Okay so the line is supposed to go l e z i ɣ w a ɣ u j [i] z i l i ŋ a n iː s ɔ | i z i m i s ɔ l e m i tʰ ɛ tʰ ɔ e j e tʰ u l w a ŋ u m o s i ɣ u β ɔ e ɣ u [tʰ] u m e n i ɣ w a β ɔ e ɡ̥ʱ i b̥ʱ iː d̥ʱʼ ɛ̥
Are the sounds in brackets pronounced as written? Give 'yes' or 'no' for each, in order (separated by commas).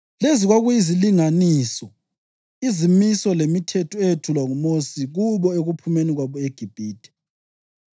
yes, no